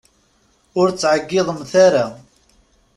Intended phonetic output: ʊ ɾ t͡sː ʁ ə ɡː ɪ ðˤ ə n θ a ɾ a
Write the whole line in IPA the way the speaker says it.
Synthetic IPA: ʊ ɾ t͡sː ʕ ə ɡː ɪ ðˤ ə m θ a ɾ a